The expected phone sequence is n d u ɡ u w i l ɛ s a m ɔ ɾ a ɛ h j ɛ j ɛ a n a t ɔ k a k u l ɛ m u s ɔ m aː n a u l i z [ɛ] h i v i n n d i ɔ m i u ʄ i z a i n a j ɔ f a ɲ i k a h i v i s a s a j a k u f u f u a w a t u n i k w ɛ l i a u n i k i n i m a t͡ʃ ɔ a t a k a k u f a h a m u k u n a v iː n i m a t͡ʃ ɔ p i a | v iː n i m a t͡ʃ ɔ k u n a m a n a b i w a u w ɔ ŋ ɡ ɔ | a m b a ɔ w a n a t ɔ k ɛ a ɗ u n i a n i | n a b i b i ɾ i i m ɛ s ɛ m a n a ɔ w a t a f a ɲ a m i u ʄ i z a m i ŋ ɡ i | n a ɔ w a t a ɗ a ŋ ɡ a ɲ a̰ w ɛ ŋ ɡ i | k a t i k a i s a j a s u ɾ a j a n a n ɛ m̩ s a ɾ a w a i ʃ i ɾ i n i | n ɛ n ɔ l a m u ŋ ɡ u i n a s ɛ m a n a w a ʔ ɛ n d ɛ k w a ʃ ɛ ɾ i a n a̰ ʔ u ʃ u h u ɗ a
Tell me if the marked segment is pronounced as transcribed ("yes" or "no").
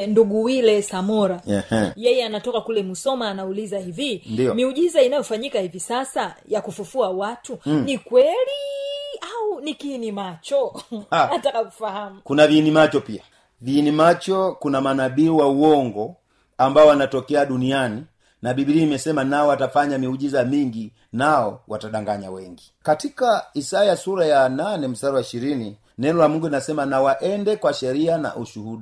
no